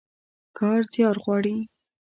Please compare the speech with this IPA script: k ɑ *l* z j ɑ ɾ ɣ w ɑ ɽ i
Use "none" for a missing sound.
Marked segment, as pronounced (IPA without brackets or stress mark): ɾ